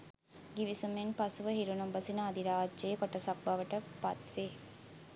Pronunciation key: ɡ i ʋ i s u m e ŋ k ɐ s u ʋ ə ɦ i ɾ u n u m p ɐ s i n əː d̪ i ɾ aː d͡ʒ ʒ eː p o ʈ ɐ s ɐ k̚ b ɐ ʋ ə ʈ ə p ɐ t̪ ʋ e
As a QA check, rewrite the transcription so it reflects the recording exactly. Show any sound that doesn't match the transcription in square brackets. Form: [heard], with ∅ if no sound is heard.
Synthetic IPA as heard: ɡ i ʋ i s u m e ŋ [p] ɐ s u ʋ ə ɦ i ɾ u n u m [b] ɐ s i n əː d̪ i ɾ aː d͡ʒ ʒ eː [k] o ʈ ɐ s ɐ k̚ b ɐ ʋ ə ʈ ə p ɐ t̪ ʋ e